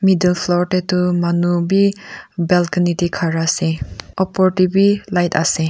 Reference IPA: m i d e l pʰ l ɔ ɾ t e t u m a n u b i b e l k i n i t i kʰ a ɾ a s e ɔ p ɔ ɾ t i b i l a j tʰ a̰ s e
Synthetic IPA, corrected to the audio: m i d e l pʰ l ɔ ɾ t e t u m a n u b i b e l k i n i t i kʰ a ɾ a s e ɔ p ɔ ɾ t i b i l a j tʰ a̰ s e